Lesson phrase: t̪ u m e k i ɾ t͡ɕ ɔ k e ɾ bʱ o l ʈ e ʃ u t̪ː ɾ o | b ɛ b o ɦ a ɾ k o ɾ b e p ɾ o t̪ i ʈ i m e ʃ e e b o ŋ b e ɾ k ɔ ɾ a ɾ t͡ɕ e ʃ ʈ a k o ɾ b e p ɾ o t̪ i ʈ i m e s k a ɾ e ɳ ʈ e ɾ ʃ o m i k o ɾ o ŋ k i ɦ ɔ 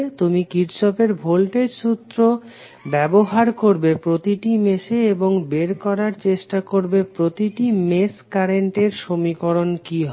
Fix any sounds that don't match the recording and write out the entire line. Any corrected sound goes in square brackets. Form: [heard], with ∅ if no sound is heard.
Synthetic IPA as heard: t̪ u m [i] k i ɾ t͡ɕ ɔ [p] e ɾ bʱ o l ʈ e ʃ u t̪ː ɾ o | b ɛ b o ɦ a ɾ k o ɾ b e p ɾ o t̪ i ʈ i m e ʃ e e b o ŋ b e ɾ k ɔ ɾ a ɾ t͡ɕ e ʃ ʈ a k o ɾ b e p ɾ o t̪ i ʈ i m e s k a ɾ e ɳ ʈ e ɾ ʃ o m i k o ɾ o [n] k i ɦ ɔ